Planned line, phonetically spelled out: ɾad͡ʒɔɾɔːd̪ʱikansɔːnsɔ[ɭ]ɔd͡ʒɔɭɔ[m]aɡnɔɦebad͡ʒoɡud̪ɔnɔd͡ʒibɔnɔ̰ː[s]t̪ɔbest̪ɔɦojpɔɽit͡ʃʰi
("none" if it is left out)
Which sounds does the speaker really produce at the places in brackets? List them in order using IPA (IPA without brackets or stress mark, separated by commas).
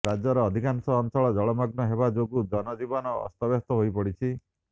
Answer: ɭ, m, s